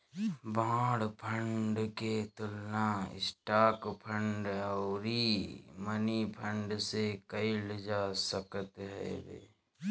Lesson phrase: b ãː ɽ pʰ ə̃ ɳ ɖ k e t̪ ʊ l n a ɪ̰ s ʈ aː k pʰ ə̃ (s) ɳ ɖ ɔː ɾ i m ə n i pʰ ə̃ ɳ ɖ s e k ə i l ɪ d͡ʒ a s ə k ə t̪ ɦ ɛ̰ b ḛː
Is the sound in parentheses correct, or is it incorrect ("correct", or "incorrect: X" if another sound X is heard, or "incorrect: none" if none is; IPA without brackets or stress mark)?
incorrect: none